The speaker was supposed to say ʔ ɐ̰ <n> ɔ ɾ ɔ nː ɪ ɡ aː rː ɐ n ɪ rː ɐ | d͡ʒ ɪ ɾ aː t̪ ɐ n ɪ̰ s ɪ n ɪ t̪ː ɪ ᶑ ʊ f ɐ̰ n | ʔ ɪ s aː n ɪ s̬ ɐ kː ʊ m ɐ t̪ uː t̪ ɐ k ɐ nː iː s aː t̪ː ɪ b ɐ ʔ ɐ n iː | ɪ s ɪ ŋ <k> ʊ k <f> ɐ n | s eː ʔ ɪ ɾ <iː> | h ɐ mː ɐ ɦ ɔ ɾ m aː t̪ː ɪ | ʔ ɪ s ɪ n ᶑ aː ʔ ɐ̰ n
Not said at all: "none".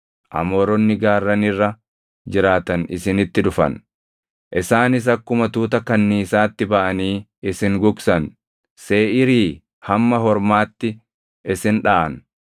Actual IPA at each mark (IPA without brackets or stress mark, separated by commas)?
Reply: m, ɡ, s, iː